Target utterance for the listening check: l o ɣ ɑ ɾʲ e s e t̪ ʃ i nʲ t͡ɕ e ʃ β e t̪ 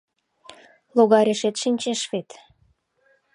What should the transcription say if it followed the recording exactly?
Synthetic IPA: l o ɣ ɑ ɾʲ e ʃ e t̪ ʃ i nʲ t͡ɕ e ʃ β e t̪